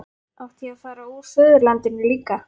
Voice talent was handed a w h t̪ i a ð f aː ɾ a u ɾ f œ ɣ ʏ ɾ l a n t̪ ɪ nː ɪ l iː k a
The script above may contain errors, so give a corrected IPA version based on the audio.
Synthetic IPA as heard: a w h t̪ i a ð f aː ɾ a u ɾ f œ ð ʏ ɾ l a n t̪ ɪ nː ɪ l iː k a